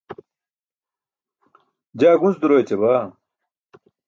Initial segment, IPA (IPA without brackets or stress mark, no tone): d͡ʑ